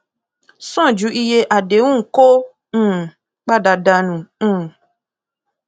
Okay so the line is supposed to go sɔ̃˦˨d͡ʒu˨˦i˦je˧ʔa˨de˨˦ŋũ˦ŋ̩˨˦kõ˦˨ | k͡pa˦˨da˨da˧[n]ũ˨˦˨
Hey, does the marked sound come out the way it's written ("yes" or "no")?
yes